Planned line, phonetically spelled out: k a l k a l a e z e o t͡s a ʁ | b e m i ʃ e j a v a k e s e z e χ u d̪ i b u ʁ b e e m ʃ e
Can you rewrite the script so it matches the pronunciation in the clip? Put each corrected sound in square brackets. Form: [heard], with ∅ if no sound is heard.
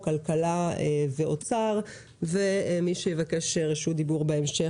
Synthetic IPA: k a l k a l a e [v] e o t͡s a ʁ | [v] e m i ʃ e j [e] v a k e [ʃ] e [ʁ] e [ʃ] u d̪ i b u ʁ b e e m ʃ e